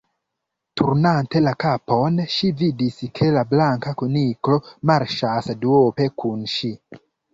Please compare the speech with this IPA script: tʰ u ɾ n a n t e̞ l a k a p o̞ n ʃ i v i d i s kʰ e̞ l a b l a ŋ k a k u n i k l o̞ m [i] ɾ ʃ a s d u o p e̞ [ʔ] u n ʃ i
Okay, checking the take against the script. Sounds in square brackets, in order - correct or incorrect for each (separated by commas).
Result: incorrect, incorrect